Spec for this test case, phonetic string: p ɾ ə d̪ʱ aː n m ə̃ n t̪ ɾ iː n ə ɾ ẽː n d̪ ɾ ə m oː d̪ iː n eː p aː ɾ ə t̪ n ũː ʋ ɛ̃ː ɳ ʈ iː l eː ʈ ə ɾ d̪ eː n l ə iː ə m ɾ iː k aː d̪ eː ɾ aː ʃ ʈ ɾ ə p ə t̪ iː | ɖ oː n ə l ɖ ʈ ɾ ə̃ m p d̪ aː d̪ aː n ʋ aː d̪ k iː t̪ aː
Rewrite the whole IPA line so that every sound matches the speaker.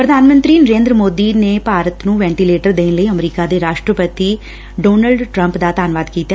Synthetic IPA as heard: p ɾ ə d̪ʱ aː n m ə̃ n t̪ ɾ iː n ə ɾ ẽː n d̪ ɾ ə m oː d̪ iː n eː p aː ɾ ə t̪ n ũː ʋ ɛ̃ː ɳ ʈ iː l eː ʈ ə ɾ d̪ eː n l ə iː ə m ɾ iː k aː d̪ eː ɾ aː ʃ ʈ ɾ ə p ə t̪ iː | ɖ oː n ə l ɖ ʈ ɾ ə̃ m p d̪ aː t̪ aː n ʋ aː d̪ k iː t̪ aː